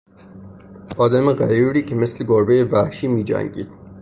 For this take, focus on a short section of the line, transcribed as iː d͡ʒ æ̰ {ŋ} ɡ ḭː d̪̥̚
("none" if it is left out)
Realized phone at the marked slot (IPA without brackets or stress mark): ŋ